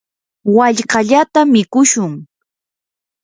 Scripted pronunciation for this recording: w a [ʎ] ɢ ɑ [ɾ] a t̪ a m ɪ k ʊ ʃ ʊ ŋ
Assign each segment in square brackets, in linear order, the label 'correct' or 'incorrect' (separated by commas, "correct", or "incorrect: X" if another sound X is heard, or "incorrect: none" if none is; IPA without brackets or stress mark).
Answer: correct, incorrect: ʎ